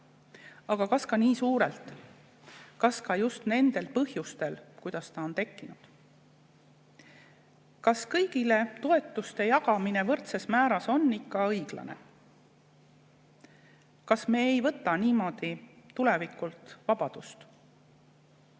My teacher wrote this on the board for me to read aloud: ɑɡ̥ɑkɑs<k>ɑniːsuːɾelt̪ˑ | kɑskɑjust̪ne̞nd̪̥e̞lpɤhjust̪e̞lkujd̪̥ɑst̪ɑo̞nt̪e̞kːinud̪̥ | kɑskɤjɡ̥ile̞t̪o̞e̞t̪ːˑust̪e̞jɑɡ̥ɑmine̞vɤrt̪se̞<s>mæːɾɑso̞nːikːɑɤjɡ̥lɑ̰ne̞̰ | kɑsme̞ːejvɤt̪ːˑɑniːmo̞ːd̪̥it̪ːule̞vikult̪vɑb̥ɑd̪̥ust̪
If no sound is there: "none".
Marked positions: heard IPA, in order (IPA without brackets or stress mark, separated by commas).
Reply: k, s